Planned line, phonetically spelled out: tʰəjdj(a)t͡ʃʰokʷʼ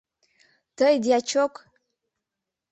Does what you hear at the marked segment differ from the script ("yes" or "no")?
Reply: no